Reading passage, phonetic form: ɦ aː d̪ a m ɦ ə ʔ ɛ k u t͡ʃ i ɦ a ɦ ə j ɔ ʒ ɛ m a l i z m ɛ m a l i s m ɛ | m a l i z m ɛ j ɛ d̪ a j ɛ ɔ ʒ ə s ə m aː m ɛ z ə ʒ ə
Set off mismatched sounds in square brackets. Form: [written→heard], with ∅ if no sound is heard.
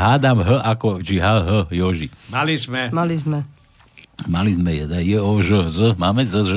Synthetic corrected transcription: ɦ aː d̪ a m ɦ ə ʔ [ɛ→a] k [u→ɔ] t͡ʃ i ɦ a ɦ ə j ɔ ʒ [ɛ→i] m a l i z m ɛ m a l i [s→z] m ɛ | m a l i z m ɛ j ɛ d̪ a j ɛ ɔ ʒ ə [s→z] ə m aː m ɛ z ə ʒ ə